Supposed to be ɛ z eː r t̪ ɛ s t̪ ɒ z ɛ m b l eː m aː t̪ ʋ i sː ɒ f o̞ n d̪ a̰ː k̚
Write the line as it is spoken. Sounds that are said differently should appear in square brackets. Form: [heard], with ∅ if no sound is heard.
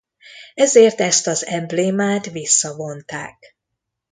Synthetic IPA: ɛ z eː r t̪ ɛ s t̪ ɒ z ɛ m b l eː m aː t̪ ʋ i sː ɒ [v] o̞ n [t̪] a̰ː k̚